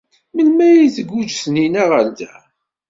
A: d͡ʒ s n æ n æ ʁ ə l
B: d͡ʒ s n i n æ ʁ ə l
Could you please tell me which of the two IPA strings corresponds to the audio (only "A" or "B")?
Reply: B